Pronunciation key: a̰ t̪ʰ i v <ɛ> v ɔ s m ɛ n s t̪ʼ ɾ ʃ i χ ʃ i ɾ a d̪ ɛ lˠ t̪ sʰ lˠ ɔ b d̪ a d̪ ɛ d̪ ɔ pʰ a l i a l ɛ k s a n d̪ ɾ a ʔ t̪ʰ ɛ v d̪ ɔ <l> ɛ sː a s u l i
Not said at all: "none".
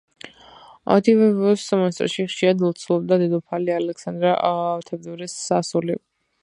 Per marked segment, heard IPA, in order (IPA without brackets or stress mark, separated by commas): ɛ, ɾ